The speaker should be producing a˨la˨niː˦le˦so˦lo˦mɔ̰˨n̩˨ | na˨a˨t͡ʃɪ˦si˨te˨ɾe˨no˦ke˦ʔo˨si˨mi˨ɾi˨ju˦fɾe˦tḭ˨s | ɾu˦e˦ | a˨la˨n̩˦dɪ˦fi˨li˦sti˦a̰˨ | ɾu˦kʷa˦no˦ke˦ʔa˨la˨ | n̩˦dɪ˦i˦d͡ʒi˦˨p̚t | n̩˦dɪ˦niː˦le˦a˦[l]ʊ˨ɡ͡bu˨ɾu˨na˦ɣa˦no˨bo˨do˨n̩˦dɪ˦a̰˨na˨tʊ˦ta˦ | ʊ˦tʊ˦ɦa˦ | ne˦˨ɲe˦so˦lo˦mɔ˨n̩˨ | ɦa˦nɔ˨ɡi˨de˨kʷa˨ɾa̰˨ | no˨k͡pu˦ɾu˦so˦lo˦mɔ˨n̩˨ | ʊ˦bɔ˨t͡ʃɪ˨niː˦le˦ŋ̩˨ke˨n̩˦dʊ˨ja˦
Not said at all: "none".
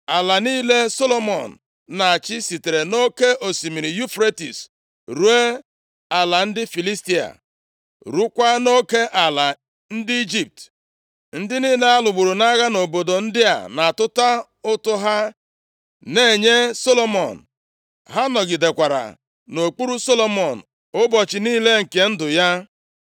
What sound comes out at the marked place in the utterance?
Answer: l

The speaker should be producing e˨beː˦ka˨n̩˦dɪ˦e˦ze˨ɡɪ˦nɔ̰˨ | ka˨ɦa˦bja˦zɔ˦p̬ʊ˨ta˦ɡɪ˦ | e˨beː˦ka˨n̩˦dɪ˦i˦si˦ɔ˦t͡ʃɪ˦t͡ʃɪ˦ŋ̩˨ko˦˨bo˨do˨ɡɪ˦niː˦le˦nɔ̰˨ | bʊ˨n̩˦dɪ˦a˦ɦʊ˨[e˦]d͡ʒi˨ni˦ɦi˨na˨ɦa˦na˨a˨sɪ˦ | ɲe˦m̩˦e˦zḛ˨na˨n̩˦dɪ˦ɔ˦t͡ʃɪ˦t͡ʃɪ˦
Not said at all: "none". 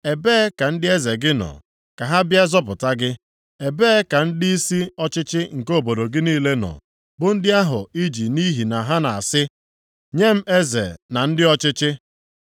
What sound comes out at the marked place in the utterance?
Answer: i˦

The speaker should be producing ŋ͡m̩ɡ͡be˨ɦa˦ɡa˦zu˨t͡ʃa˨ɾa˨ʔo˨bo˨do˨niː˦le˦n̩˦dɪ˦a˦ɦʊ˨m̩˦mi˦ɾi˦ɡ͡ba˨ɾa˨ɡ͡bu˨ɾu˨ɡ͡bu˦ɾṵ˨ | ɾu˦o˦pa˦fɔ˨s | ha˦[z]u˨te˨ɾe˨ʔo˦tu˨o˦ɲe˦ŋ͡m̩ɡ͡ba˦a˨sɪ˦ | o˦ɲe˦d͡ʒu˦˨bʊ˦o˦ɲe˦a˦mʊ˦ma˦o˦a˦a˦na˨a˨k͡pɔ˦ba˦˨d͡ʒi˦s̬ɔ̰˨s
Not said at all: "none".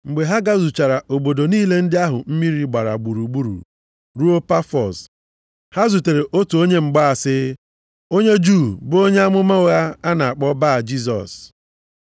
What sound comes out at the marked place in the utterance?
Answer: z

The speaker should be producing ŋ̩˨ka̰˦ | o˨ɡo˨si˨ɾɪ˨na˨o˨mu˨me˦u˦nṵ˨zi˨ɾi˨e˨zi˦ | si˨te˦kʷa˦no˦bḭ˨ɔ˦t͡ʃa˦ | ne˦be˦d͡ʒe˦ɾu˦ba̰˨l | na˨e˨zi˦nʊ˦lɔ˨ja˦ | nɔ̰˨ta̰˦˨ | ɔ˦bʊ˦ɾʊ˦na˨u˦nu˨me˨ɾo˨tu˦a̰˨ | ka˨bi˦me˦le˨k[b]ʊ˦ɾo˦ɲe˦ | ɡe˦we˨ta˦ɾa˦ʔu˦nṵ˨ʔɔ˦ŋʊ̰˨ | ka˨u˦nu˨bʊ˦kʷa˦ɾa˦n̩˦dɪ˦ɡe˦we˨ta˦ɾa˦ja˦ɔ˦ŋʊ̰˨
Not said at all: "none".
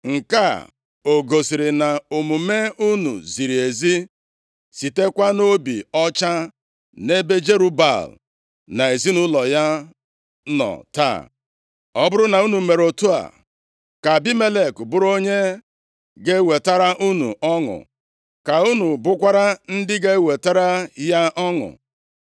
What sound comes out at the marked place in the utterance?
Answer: b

